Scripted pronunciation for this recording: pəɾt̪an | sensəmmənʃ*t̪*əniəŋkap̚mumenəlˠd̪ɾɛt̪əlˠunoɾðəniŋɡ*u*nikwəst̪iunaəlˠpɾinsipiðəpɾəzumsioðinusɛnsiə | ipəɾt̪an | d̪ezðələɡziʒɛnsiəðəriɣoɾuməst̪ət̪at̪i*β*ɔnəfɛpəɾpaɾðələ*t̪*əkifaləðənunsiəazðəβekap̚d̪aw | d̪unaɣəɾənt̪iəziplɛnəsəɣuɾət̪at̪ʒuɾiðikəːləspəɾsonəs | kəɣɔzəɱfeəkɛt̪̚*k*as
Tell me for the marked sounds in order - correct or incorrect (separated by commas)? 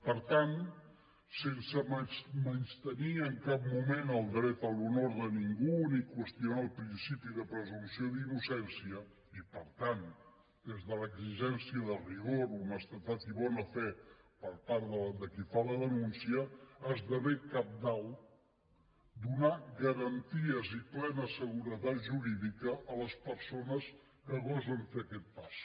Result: correct, correct, correct, incorrect, incorrect